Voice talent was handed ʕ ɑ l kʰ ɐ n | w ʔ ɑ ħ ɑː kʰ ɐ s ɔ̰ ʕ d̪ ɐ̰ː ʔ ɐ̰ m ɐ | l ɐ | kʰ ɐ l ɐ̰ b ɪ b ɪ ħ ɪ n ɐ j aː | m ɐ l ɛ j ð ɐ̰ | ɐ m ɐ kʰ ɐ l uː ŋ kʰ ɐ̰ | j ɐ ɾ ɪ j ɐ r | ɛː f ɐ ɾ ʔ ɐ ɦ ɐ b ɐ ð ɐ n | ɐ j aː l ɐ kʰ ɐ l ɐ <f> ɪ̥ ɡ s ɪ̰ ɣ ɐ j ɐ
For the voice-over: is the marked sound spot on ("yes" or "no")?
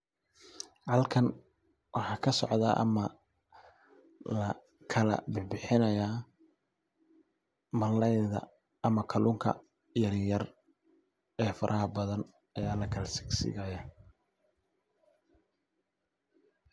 no